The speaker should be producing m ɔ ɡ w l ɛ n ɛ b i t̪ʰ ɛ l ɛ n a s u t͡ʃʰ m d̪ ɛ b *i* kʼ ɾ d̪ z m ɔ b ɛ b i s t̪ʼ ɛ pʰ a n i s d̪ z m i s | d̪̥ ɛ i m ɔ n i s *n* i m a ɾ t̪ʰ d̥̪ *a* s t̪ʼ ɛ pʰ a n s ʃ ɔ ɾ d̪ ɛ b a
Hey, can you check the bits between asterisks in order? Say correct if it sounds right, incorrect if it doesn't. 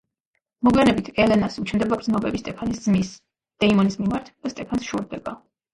incorrect, incorrect, correct

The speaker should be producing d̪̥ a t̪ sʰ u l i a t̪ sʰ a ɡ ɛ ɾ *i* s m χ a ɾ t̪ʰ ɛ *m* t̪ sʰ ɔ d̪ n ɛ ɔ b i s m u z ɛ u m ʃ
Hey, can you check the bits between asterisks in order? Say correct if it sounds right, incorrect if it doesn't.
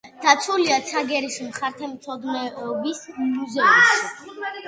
correct, correct

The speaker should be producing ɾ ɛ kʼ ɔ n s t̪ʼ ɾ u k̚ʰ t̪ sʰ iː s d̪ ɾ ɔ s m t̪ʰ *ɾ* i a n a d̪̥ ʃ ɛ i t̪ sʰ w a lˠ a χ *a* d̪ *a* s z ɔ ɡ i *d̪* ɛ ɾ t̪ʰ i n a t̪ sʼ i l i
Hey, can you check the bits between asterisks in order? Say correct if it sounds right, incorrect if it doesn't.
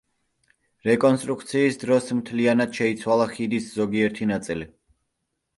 incorrect, incorrect, incorrect, incorrect

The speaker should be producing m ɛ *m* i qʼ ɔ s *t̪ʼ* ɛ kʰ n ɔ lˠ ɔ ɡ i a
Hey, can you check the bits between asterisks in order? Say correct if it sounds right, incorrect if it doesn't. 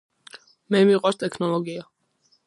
correct, correct

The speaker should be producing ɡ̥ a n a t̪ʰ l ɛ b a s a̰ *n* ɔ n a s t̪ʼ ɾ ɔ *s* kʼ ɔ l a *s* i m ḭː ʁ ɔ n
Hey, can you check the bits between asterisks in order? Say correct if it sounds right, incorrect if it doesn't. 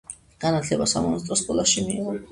incorrect, correct, incorrect

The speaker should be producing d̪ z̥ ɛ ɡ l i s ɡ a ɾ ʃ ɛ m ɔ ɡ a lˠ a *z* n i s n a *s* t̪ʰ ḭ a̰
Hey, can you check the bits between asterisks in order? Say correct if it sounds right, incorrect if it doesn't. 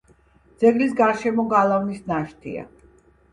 incorrect, incorrect

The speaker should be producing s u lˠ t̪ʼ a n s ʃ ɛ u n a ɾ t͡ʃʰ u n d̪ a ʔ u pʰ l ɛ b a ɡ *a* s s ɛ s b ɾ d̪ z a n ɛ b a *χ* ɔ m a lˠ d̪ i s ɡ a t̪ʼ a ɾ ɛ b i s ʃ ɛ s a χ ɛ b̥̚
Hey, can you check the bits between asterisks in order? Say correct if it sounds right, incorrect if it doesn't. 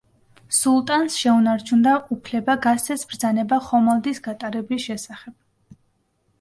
correct, correct

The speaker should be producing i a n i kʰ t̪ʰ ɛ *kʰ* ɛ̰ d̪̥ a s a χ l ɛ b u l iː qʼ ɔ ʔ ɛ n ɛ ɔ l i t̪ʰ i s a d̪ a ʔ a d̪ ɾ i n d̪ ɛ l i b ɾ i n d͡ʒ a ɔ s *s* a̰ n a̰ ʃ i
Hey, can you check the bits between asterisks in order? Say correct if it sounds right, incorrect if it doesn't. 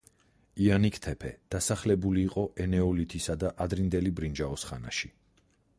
incorrect, incorrect

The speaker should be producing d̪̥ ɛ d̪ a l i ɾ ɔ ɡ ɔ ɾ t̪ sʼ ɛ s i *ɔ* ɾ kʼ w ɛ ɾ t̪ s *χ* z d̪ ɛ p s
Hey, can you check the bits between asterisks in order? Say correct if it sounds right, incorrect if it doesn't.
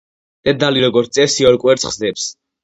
correct, correct

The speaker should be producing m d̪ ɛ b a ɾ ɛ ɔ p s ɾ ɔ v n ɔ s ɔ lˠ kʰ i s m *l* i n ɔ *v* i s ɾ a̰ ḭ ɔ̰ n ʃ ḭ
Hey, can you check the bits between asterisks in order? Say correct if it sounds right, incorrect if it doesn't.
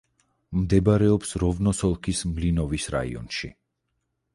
correct, correct

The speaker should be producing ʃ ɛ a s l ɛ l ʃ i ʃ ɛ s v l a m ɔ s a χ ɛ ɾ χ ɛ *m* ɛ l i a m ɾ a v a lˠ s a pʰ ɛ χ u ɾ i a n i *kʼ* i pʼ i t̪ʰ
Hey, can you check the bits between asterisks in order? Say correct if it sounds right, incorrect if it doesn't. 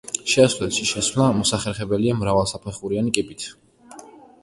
incorrect, correct

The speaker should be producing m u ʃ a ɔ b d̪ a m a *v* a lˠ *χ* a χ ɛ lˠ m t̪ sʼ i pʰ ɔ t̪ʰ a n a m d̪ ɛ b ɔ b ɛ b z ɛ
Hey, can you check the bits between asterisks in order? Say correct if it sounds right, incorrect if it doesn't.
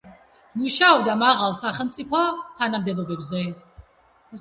incorrect, incorrect

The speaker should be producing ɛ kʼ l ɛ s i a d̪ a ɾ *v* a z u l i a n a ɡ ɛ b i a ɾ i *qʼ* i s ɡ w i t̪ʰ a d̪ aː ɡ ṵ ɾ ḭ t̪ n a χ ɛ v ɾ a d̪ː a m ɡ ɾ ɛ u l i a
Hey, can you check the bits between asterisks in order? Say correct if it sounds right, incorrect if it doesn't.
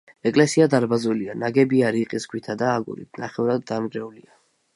incorrect, correct

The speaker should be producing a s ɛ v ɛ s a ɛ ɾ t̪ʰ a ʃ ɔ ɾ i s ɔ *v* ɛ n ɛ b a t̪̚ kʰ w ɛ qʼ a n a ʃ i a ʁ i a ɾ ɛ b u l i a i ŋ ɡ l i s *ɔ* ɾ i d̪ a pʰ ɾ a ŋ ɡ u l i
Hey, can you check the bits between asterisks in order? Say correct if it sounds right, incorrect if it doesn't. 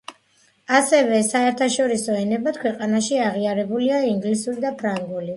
incorrect, incorrect

